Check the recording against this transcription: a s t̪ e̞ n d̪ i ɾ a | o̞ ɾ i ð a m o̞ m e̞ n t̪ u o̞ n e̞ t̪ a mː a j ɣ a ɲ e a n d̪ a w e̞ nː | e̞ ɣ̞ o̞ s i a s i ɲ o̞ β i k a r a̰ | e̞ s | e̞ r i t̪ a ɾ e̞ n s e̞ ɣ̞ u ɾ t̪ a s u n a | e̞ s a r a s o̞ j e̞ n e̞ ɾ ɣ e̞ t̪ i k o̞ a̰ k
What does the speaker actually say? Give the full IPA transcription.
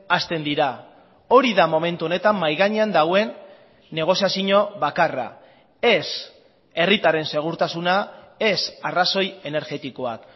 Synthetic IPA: a s t̪ e̞ n d̪ i ɾ a | o̞ ɾ i ð a m o̞ m e̞ n t̪ u o̞ n e̞ t̪ a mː a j ɣ a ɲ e a n d̪ a w e̞ nː | e̞ ɣ̞ o̞ s i a s i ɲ o̞ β a k a r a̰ | e̞ s | e̞ r i t̪ a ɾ e̞ n s e̞ ɣ̞ u ɾ t̪ a s u n a | e̞ s a r a s o̞ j e̞ n e̞ ɾ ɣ e̞ t̪ i k o̞ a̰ k